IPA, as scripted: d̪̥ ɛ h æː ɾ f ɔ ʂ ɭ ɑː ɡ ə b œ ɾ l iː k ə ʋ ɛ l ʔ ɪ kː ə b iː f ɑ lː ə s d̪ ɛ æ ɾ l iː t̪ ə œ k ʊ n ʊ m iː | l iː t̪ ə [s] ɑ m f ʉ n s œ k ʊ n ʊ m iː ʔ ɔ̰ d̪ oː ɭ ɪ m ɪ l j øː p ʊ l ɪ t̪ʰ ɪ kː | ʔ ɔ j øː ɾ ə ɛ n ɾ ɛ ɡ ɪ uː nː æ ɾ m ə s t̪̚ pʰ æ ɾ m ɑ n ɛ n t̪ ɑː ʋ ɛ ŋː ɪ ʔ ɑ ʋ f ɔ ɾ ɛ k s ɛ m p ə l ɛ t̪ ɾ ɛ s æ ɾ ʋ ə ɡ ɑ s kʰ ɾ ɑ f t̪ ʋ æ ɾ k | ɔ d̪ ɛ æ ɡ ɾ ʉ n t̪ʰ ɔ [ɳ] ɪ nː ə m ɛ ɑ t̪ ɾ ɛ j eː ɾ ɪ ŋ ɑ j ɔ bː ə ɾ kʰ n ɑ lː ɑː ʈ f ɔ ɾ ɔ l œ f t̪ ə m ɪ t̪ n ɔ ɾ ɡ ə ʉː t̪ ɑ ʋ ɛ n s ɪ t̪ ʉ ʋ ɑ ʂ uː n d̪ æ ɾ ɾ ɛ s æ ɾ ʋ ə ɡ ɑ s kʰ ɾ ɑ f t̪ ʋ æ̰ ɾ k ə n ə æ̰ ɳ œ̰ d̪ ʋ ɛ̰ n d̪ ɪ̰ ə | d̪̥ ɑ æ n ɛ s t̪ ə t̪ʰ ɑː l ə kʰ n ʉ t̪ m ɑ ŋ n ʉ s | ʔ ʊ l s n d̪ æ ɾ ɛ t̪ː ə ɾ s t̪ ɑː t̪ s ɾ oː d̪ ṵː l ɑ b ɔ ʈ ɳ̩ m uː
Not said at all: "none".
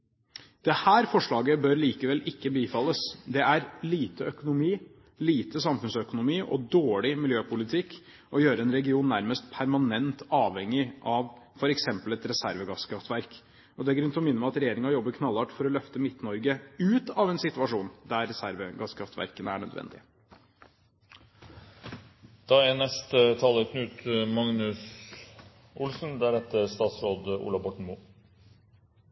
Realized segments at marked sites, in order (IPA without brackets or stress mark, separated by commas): s, m